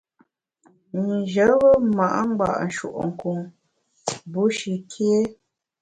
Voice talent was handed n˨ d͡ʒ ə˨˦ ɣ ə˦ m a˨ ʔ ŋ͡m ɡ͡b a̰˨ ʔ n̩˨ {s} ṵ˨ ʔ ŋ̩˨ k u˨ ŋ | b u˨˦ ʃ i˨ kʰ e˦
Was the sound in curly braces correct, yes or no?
no